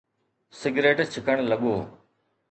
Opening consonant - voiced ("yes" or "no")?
no